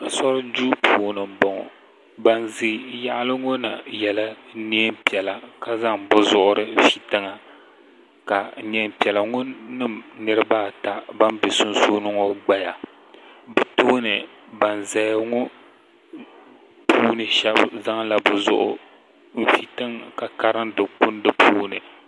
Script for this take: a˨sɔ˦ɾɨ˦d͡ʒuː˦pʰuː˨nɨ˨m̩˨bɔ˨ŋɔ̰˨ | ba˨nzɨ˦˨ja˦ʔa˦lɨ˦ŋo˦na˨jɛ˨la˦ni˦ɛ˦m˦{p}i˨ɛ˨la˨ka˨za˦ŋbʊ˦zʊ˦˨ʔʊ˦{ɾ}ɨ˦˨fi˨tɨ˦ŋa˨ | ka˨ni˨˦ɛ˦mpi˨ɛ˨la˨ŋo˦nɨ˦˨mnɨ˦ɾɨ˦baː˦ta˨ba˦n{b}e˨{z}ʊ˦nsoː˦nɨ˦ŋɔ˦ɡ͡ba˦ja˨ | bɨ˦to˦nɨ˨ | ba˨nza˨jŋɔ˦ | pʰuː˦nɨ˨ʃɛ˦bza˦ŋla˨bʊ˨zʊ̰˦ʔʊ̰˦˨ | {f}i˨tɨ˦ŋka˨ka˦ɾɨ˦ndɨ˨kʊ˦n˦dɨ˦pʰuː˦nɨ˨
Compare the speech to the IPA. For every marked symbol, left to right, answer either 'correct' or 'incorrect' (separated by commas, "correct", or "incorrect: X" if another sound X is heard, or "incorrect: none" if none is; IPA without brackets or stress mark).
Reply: correct, correct, correct, incorrect: s, correct